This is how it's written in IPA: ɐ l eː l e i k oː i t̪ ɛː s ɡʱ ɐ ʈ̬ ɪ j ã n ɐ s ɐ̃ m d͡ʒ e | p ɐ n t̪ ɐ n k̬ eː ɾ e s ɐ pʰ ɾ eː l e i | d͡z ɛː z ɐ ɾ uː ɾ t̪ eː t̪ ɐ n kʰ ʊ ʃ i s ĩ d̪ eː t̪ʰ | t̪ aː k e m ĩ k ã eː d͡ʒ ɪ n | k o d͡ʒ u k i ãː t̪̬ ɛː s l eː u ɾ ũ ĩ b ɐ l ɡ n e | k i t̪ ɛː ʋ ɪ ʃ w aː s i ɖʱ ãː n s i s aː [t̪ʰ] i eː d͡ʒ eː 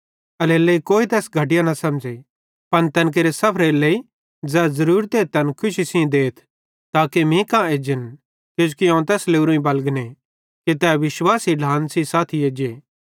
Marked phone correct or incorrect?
correct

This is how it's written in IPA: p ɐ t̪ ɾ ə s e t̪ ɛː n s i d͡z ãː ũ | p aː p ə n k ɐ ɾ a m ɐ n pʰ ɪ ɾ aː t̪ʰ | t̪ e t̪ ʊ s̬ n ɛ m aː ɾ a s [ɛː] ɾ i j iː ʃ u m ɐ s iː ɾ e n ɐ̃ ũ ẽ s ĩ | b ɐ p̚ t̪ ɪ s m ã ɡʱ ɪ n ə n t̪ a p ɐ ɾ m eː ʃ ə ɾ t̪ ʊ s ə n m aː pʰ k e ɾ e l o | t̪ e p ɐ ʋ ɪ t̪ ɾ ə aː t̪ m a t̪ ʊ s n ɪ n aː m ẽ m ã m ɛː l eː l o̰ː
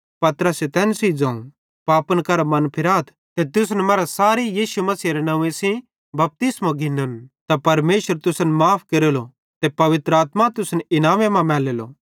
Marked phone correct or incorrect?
incorrect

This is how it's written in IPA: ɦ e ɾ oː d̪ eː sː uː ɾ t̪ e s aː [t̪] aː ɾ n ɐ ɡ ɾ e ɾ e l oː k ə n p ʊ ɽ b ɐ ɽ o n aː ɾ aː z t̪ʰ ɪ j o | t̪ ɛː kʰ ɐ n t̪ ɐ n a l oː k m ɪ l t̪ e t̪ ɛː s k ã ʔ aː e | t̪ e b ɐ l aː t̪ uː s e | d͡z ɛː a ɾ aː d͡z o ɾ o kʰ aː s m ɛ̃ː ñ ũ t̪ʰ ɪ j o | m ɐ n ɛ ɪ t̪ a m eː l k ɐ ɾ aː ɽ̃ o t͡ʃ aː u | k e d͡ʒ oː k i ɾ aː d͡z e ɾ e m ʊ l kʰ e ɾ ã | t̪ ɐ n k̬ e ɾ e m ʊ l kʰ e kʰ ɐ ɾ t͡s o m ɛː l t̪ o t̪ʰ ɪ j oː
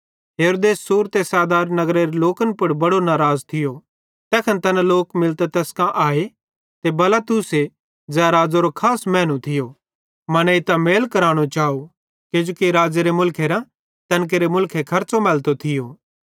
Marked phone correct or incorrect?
incorrect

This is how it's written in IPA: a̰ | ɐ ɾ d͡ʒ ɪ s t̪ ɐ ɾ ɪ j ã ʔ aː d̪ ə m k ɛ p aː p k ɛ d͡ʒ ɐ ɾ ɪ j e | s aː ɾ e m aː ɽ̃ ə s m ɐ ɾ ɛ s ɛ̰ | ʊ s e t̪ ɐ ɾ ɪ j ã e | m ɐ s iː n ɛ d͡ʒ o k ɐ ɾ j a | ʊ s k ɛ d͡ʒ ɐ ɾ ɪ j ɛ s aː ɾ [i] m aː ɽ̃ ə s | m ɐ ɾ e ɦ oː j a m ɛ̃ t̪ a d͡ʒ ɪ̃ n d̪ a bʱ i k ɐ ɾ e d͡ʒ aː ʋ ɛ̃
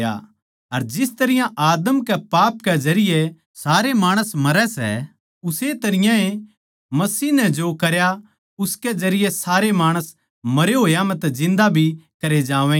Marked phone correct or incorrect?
incorrect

